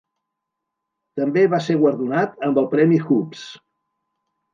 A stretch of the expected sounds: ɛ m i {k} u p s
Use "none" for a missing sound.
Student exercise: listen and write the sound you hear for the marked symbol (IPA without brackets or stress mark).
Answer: x